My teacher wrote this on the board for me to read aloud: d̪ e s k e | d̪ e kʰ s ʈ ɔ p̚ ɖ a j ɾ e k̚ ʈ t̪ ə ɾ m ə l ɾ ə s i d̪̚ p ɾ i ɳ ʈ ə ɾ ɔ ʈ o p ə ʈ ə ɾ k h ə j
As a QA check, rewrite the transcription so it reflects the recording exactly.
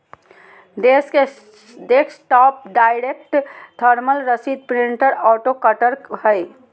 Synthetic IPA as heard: d̪ e s k e | d̪ e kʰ s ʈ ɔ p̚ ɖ a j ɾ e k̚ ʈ t̪ʰ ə ɾ m ə l ɾ ə s i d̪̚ p ɾ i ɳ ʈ ə ɾ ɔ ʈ o k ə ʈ ə ɾ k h ə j